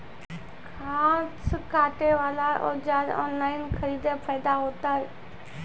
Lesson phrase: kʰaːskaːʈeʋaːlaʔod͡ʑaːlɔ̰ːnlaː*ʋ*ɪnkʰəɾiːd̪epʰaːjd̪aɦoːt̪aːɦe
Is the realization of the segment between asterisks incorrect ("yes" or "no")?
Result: yes